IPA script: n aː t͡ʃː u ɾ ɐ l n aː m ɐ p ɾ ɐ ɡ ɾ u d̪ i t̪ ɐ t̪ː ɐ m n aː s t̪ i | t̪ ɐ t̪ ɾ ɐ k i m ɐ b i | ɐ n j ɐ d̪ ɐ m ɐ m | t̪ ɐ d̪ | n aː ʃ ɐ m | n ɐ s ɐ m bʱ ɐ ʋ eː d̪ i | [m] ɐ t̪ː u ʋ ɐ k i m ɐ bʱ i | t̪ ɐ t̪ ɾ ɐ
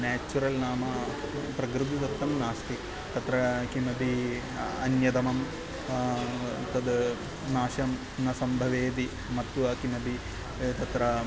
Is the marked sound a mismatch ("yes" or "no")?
no